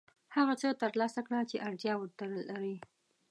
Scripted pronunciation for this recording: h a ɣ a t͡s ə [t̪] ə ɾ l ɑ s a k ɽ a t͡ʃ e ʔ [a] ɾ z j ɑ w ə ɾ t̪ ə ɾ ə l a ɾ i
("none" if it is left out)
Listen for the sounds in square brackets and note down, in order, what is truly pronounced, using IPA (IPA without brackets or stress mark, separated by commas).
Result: t̪, a